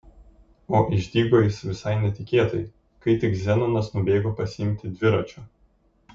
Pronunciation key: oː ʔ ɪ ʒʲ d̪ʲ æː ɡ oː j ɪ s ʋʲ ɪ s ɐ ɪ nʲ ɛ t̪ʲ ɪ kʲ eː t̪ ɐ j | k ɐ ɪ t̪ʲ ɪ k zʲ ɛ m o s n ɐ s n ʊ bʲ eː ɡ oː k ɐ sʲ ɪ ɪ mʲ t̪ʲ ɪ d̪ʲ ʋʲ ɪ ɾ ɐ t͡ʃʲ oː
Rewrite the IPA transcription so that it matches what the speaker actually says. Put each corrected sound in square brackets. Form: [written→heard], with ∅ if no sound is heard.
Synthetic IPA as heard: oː ʔ ɪ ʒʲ d̪ʲ [æː→iː] ɡ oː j ɪ s ʋʲ ɪ s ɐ ɪ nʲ ɛ t̪ʲ ɪ kʲ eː t̪ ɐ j | k ɐ ɪ t̪ʲ ɪ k zʲ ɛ [m→n] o [s→∅] n ɐ s n ʊ bʲ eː ɡ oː [k→p] ɐ sʲ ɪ ɪ mʲ t̪ʲ ɪ d̪ʲ ʋʲ ɪ ɾ ɐ t͡ʃʲ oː